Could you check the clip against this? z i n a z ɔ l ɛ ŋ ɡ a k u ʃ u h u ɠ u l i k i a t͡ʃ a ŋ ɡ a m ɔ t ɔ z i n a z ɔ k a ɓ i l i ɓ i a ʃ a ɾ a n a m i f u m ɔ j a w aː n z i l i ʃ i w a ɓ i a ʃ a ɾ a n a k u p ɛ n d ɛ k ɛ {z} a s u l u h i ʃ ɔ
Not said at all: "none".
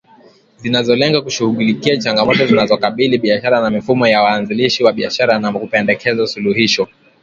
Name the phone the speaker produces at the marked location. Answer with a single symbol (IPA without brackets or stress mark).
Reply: z